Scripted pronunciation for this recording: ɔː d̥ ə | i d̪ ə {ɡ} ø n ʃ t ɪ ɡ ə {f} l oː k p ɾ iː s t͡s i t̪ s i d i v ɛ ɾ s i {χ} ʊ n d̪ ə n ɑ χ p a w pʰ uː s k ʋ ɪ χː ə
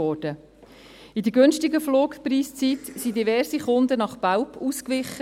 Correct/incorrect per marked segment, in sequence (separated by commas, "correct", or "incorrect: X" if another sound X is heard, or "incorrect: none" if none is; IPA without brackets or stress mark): correct, correct, correct